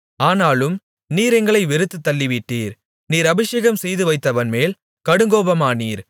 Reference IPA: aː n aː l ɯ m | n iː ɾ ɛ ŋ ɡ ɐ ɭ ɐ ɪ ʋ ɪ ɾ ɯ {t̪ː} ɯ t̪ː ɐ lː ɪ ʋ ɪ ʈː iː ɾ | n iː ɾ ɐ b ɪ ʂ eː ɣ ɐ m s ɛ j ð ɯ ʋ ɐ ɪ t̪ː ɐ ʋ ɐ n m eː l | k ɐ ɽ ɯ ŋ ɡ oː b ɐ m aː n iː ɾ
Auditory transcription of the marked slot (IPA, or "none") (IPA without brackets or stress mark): t̪ː